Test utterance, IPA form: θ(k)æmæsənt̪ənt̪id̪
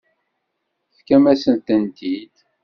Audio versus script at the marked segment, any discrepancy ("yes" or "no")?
no